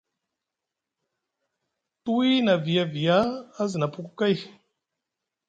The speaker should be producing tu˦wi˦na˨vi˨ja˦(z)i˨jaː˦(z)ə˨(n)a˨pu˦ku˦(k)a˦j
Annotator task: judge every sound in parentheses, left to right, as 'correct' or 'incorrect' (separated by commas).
incorrect, correct, correct, correct